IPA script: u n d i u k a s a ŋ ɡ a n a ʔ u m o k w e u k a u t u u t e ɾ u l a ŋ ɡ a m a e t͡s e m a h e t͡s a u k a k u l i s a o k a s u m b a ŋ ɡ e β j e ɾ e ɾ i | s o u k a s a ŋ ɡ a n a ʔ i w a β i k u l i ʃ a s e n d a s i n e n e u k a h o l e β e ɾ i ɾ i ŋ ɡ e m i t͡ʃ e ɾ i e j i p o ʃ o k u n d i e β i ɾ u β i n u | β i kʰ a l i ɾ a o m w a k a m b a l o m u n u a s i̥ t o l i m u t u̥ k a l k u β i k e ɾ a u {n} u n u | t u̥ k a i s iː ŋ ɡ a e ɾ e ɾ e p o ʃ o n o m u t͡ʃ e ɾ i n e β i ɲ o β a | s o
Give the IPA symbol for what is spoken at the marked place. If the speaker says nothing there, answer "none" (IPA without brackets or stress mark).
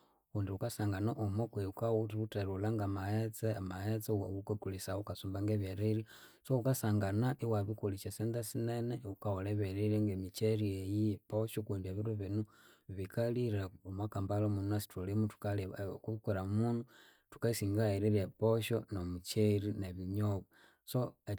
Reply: m